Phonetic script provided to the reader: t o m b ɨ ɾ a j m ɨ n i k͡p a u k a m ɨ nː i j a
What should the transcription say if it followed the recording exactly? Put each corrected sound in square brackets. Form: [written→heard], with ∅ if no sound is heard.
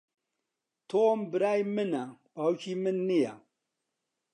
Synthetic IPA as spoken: t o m b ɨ ɾ a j m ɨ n [i→a] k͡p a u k [a→i] m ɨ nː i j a

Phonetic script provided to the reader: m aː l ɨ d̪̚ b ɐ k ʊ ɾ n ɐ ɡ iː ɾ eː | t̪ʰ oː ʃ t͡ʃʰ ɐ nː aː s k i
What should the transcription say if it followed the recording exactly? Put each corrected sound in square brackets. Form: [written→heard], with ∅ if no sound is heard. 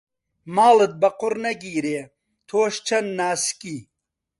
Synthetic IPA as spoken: m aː l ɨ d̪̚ b ɐ [k→q] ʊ ɾ n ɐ ɡ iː ɾ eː | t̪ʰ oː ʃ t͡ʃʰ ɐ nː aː s k i

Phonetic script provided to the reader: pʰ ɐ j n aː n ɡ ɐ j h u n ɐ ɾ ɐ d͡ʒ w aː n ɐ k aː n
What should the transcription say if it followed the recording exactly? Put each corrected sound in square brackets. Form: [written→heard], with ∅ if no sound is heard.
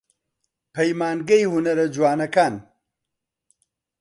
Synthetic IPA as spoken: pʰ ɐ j [n→m] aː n ɡ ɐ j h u n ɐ ɾ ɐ d͡ʒ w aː n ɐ k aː n

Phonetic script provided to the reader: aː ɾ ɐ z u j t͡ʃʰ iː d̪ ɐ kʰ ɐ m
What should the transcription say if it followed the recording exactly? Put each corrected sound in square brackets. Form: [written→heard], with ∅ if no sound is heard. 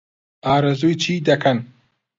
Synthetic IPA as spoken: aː ɾ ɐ z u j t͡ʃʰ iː d̪ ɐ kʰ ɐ [m→n]

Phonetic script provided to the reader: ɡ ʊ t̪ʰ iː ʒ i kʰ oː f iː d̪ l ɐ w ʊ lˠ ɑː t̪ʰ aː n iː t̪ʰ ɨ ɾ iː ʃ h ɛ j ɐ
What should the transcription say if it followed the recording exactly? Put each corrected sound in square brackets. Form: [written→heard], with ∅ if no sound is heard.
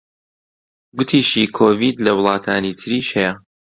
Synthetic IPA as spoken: ɡ ʊ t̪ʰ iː [ʒ→ʃ] i kʰ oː [f→v] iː d̪ l ɐ w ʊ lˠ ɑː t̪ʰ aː n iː t̪ʰ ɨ ɾ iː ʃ h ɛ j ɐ

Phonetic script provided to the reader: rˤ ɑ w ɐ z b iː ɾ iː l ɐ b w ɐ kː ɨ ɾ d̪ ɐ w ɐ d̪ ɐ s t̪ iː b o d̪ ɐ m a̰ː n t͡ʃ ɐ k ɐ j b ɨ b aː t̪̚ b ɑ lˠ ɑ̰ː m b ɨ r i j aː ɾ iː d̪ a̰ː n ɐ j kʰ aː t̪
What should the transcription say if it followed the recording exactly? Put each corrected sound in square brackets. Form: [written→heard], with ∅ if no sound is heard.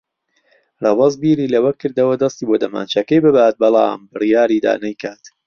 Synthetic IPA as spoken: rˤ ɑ w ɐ z b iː ɾ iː l ɐ [b→∅] w ɐ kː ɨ ɾ d̪ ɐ w ɐ d̪ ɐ s t̪ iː b o d̪ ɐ m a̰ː n t͡ʃ ɐ k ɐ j b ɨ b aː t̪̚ b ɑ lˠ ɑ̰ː m b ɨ r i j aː ɾ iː d̪ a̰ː n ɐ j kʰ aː t̪

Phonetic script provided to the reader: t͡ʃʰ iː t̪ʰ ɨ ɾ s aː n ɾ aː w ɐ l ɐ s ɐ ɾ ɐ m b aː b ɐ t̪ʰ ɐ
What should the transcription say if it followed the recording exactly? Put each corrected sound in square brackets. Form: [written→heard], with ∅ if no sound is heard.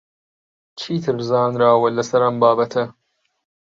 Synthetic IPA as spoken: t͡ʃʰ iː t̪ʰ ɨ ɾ [s→z] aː n ɾ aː w ɐ l ɐ s ɐ ɾ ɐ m b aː b ɐ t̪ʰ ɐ

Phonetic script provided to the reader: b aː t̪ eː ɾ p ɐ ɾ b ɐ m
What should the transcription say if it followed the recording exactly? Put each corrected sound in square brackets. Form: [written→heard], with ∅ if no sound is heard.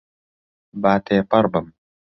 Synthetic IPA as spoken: b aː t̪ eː [ɾ→∅] p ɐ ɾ b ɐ m

